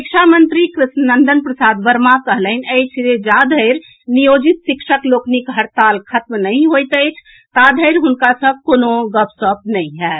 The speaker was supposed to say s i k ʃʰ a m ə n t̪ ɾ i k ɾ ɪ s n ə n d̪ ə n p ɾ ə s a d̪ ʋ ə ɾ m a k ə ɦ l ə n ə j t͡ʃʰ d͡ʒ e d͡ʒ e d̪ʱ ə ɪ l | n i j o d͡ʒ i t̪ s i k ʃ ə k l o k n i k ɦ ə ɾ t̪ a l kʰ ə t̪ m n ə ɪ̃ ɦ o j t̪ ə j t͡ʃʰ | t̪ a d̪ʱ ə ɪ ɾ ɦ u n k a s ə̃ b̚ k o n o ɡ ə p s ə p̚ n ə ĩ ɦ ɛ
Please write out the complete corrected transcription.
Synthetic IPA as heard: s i k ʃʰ a m ə n t̪ ɾ i k ɾ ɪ s n ə n d̪ ə n p ɾ ə s a d̪ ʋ ə ɾ m a k ə ɦ l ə n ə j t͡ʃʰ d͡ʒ e d͡ʒ a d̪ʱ ə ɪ ɾ | n i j o d͡ʒ i t̪ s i k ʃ ə k l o k n i k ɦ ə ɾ t̪ a l kʰ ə t̪ m n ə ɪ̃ ɦ o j t̪ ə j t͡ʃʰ | t̪ a d̪ʱ ə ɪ ɾ ɦ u n k a s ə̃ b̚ k o n o ɡ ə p s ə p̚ n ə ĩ ɦ ɛ

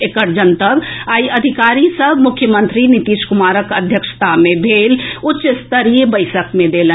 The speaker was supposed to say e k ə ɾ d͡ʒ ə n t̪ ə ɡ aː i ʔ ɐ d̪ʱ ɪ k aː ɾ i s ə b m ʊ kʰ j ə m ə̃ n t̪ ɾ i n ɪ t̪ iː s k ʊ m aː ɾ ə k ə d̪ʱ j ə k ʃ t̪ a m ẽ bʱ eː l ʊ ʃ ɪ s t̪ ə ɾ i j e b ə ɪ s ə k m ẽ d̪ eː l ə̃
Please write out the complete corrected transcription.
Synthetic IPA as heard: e k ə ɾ d͡ʒ ə n t̪ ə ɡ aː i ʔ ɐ d̪ʱ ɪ k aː ɾ i s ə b m ʊ kʰ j ə m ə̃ n t̪ ɾ i n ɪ t̪ iː ʃ k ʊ m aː ɾ ə k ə d̪ʱ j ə k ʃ t̪ a m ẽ bʱ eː l ʊ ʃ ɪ s t̪ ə ɾ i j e b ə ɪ s ə k m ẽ d̪ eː l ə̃

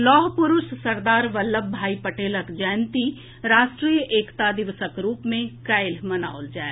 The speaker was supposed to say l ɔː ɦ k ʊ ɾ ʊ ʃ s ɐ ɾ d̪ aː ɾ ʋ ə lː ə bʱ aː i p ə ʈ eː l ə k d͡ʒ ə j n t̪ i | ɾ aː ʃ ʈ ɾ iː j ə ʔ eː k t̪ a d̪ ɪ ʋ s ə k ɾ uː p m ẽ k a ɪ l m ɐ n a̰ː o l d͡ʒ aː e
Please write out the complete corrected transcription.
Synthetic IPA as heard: l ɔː ɦ p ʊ ɾ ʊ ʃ s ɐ ɾ d̪ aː ɾ ʋ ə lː ə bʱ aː i p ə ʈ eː l ə k d͡ʒ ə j n t̪ i | ɾ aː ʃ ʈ ɾ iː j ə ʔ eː k t̪ a d̪ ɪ ʋ s ə k ɾ uː p m ẽ k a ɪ l m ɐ n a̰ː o l d͡ʒ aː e

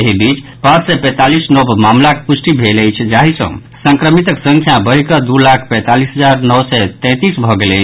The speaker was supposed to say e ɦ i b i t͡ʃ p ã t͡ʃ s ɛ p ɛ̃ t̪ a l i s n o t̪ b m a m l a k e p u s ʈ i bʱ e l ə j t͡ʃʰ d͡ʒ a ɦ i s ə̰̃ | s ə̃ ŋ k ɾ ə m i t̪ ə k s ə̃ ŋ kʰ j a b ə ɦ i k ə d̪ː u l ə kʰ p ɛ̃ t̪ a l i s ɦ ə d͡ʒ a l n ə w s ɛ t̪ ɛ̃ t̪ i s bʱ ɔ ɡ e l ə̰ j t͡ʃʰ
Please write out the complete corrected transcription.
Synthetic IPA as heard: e ɦ i b i t͡ʃ p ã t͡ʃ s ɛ p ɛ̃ t̪ a l i s n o b m a m l a k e p u s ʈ i bʱ e l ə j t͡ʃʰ d͡ʒ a ɦ i s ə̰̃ | s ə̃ ŋ k ɾ ə m i t̪ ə k s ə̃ ŋ kʰ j a b ə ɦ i k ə d̪ u l a kʰ p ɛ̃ t̪ a l i s ɦ ə d͡ʒ a ɾ n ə w s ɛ t̪ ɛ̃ t̪ i s bʱ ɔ ɡ e l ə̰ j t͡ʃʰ

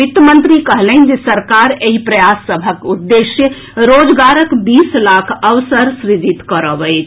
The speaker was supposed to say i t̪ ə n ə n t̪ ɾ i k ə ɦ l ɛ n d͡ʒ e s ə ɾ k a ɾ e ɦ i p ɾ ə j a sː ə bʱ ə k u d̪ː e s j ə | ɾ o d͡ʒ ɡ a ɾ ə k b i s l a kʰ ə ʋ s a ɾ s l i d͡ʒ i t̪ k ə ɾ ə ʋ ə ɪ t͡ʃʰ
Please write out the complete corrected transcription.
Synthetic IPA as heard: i t̪ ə m ə n t̪ ɾ i k ə ɦ l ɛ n d͡ʒ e s ə ɾ k a ɾ e ɦ i p ɾ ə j a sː ə bʱ ə k u d̪ː e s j ə | ɾ o d͡ʒ ɡ a ɾ ə k b i s l a kʰ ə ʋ s ə ɾ s ɾ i d͡ʒ i t̪ k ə ɾ ə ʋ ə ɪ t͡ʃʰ

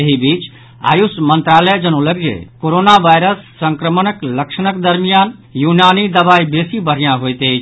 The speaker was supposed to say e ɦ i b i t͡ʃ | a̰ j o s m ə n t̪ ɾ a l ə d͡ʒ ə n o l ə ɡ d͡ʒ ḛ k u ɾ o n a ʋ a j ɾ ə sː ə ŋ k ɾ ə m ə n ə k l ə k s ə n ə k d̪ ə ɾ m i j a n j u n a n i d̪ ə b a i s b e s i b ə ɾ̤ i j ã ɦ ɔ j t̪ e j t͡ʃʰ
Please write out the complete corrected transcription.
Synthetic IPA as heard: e ɦ i b i t͡ʃ | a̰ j u s m ə n t̪ ɾ a l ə d͡ʒ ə n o l ə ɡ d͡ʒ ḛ k o ɾ o n a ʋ a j ɾ ə sː ə ŋ k ɾ ə m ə n ə k l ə k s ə n ə k d̪ ə ɾ m i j a n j u n a n i d̪ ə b a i b e s i b ə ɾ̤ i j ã ɦ o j t̪ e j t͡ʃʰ

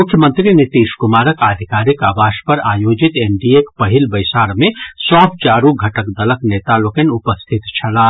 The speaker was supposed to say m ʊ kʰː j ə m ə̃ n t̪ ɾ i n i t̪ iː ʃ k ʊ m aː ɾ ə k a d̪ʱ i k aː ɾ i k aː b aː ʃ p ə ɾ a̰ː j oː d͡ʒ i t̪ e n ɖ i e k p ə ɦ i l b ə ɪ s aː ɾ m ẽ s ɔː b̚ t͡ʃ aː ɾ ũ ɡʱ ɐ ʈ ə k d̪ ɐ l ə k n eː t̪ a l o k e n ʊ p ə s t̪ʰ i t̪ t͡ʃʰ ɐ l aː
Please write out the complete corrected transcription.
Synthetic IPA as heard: m ʊ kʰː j ə m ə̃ n t̪ ɾ i n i t̪ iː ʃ k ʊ m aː ɾ ə k a d̪ʱ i k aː ɾ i k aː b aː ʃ p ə ɾ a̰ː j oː d͡ʒ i t̪ e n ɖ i e k p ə ɦ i l b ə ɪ s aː ɾ m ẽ s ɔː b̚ t͡ʃ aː ɾ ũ ɡʱ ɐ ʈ ə k d̪ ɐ l ə k n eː t̪ a l o k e n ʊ p ə s t̪ʰ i t̪ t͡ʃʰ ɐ l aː

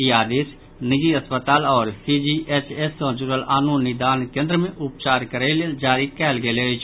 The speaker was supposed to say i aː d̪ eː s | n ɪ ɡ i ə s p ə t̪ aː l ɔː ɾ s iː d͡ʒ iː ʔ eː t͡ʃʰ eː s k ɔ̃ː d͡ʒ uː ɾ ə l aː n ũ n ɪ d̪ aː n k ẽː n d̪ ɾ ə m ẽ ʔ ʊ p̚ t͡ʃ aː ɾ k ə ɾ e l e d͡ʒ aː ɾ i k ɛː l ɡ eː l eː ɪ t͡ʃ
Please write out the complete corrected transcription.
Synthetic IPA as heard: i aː d̪ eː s | n ɪ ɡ i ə s p ə t̪ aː l ɔː ɾ s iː d͡ʒ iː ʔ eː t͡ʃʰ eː s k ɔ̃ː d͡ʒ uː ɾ ə l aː n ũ n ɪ d̪ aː n k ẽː n d̪ ɾ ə m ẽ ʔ ʊ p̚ t͡ʃ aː ɾ k ə ɾ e l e d͡ʒ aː ɾ i k ɛː l ɡ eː l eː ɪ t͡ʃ

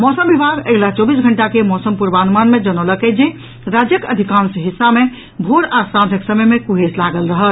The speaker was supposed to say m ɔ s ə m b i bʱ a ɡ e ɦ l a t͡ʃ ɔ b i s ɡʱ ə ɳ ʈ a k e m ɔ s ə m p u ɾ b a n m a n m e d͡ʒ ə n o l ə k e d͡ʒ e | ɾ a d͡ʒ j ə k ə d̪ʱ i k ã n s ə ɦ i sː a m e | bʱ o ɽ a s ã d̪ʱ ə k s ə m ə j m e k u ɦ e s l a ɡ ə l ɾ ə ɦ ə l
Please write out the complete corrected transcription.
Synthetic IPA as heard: m ɔ s ə m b i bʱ a ɡ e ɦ l a t͡ʃ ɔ b i s ɡʱ ə ɳ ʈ a k e m ɔ s ə m p u ɾ b a n m a n m e d͡ʒ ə n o l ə k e d͡ʒ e | ɾ a d͡ʒ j ə k ə d̪ʱ i k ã n s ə ɦ i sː a m e | bʱ o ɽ a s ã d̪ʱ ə k s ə m ə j m e k u ɦ e s l a ɡ ə l ɾ ə ɦ ə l

